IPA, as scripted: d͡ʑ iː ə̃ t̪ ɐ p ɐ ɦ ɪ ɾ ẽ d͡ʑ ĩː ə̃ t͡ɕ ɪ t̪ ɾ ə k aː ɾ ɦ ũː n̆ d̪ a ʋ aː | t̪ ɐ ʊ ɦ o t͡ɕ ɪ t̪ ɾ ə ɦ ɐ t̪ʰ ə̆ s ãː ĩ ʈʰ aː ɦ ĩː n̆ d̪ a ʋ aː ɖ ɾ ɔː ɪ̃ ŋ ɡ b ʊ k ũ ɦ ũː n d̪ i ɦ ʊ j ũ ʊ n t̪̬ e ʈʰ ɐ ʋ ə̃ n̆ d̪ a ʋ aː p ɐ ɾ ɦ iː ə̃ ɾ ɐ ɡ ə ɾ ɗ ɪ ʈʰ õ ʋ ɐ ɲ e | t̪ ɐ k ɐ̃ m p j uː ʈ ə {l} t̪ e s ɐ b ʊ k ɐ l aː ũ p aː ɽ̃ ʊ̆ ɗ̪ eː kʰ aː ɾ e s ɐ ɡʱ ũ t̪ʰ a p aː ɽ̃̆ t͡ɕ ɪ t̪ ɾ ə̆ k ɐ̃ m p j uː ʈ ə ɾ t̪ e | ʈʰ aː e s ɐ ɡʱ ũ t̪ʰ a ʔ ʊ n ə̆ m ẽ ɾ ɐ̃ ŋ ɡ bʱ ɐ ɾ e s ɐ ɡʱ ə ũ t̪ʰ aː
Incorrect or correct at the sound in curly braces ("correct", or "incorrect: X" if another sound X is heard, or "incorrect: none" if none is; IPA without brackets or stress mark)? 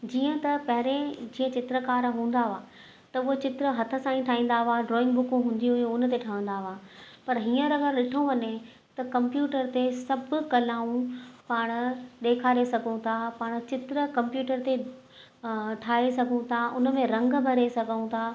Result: incorrect: ɾ